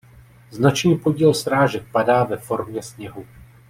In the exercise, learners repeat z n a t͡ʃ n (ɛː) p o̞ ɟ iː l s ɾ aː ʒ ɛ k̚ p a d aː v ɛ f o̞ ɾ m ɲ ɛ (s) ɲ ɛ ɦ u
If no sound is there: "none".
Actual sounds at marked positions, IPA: iː, s

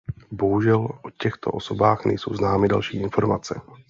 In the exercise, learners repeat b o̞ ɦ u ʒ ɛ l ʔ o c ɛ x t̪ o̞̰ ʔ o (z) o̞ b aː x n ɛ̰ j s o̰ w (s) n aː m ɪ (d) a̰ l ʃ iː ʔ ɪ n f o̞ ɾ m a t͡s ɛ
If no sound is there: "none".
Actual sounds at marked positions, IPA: s, z, d

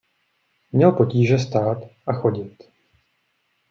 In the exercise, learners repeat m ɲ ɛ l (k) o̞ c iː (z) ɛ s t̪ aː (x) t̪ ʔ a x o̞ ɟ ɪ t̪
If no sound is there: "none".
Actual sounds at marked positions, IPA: p, ʒ, none

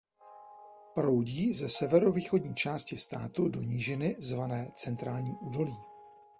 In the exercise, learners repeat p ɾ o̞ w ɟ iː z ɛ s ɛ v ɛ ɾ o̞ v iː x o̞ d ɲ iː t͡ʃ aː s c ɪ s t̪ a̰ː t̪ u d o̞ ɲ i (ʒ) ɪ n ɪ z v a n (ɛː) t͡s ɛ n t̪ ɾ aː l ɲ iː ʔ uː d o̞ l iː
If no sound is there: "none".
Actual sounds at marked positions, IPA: ʒ, ɛː

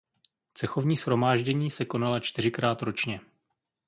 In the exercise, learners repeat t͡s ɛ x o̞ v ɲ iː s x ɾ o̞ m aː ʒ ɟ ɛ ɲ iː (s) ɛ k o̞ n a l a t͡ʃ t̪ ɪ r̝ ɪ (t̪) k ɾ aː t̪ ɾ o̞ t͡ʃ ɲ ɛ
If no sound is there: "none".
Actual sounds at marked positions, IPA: s, none

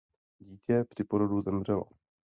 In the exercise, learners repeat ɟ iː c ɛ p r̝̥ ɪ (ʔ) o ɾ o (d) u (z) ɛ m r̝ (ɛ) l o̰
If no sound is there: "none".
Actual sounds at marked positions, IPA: p, d, z, ɛ

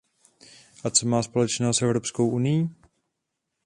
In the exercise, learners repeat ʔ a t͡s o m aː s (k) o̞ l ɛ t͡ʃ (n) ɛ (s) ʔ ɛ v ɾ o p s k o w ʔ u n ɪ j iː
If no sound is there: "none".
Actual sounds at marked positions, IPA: p, n, s

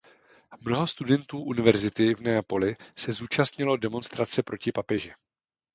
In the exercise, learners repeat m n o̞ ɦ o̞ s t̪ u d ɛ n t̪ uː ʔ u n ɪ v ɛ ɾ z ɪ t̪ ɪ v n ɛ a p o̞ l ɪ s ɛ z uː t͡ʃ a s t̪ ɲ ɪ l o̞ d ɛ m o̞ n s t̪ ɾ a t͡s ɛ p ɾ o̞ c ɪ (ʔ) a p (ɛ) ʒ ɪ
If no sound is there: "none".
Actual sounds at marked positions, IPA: p, ɛ

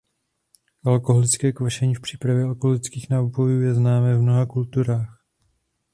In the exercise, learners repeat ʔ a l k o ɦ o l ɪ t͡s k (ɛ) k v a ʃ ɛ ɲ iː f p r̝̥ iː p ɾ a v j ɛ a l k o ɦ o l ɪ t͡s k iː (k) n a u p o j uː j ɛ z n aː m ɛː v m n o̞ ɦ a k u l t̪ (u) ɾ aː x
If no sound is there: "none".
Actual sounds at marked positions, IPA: ɛː, x, u

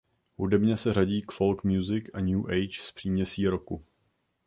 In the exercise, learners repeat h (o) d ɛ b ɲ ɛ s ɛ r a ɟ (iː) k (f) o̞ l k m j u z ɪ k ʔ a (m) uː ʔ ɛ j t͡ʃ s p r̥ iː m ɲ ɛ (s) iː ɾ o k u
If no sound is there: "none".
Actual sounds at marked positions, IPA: u, iː, f, ɲ, s

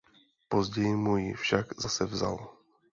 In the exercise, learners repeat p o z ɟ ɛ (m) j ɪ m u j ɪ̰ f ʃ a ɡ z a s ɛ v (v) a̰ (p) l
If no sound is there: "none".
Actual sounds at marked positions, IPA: none, z, none

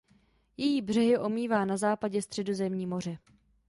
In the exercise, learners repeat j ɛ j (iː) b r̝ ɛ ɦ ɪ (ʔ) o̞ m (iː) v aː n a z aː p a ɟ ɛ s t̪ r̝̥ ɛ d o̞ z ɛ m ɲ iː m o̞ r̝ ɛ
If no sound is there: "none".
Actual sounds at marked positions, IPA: iː, ʔ, iː

